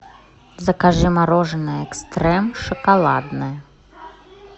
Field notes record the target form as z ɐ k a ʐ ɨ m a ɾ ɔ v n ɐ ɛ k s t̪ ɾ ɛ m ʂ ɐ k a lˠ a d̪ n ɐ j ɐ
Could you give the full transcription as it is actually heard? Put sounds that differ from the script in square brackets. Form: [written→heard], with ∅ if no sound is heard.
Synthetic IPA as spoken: z ɐ k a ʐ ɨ m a ɾ ɔ [v→ʐ] n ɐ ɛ k s t̪ ɾ ɛ m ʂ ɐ k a lˠ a d̪ n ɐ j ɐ